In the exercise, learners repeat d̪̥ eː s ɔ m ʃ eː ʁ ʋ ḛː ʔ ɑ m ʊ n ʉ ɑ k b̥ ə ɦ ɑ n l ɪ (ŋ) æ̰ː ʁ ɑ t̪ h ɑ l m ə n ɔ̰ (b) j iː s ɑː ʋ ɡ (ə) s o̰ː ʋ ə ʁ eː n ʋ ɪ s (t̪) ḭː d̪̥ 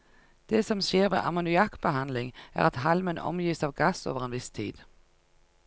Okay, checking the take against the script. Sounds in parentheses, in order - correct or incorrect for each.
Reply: correct, incorrect: m, incorrect: ɑ, incorrect: t̪ʰ

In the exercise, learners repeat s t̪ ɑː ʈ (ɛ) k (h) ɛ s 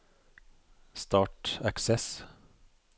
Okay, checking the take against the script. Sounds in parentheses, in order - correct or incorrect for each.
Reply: incorrect: æ, incorrect: s

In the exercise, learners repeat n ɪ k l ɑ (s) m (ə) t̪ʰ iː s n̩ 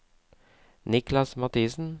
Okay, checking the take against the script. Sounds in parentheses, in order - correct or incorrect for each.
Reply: correct, incorrect: ɑ

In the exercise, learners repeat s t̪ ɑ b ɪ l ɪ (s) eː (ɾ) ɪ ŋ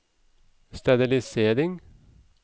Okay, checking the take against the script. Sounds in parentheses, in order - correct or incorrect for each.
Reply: correct, correct

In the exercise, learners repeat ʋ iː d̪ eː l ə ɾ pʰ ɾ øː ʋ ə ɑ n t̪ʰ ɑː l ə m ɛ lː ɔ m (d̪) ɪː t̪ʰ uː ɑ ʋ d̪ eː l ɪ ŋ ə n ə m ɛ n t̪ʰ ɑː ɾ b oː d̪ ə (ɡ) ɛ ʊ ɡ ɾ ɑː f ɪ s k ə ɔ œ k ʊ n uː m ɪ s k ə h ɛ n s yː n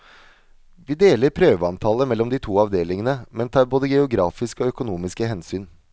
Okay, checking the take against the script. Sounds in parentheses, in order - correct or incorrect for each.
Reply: correct, correct

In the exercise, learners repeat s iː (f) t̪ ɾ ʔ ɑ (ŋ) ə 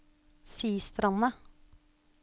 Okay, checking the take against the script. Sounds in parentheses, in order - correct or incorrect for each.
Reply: incorrect: s, incorrect: n

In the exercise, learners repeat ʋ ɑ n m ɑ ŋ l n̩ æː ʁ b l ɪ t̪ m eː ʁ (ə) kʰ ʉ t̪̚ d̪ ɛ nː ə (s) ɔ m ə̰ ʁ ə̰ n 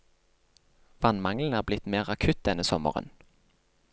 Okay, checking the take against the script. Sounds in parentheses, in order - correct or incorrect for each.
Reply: incorrect: ɑ, correct

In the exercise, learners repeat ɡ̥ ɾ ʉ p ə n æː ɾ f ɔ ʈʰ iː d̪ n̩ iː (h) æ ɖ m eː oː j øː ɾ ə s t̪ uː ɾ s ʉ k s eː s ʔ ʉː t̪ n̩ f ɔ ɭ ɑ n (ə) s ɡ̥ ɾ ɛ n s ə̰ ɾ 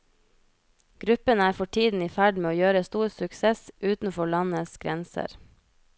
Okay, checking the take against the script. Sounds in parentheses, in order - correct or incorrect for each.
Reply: incorrect: f, correct

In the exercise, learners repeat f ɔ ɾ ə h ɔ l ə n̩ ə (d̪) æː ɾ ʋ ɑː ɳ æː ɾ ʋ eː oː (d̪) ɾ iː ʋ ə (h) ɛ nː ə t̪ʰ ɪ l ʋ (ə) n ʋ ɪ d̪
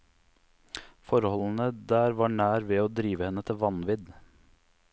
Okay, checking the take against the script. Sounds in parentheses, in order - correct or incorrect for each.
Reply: correct, correct, correct, incorrect: ɑ

